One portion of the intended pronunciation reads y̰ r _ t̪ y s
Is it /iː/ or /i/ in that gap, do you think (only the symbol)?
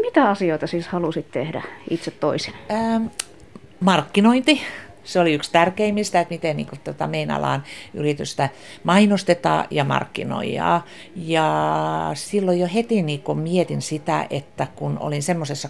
i